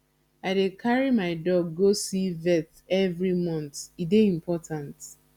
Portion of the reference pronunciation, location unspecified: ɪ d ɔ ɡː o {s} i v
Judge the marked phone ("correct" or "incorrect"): correct